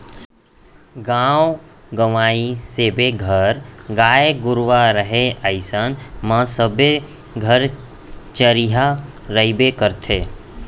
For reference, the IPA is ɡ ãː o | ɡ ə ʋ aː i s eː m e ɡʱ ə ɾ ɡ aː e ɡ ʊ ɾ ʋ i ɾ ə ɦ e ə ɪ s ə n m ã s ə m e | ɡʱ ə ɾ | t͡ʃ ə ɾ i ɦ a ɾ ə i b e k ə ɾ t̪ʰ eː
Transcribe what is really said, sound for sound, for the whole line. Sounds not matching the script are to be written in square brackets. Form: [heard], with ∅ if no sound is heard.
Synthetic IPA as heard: ɡ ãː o | ɡ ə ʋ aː i s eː [b] e ɡʱ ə ɾ ɡ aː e ɡ ʊ ɾ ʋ [a] ɾ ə ɦ e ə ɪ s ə n m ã s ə [b] e | ɡʱ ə ɾ | t͡ʃ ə ɾ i ɦ a ɾ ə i b e k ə ɾ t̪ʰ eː